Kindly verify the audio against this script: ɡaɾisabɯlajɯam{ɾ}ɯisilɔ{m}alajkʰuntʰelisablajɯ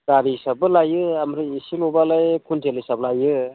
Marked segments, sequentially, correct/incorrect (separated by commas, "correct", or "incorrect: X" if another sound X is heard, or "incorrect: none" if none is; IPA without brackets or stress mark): correct, incorrect: b